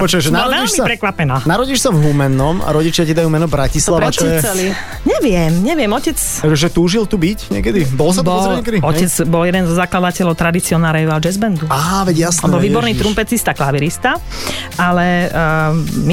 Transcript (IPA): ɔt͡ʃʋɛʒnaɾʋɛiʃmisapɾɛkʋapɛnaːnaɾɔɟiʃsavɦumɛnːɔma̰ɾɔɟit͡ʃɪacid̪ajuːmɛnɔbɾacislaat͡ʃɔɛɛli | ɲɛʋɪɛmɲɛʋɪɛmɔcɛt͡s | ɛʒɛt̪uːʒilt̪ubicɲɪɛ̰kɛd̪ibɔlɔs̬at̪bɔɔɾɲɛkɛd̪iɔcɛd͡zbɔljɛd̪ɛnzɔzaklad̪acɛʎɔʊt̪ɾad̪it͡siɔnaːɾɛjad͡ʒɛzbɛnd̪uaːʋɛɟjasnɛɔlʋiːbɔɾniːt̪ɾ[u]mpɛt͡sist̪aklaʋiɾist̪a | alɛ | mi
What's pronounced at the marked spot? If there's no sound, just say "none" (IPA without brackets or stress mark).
u